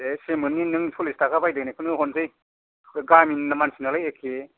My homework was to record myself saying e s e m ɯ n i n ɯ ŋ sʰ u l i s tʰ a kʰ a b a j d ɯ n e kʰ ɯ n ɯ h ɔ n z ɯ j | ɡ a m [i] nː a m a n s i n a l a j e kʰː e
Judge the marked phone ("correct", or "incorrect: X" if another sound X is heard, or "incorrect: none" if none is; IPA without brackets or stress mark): correct